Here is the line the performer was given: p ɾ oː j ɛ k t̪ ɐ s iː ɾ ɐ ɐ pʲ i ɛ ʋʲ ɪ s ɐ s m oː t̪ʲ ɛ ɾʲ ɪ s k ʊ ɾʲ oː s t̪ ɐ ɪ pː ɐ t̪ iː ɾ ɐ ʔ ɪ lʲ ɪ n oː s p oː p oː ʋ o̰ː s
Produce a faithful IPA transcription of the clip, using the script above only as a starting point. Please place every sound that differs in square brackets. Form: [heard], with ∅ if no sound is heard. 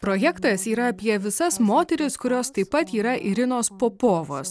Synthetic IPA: p ɾ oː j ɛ k t̪ ɐ s iː ɾ ɐ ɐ pʲ i ɛ ʋʲ ɪ s ɐ s m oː t̪ʲ ɛ ɾʲ ɪ s k ʊ ɾʲ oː s t̪ ɐ ɪ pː ɐ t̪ iː ɾ ɐ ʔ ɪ [ɾʲ] ɪ n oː s p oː p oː ʋ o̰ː s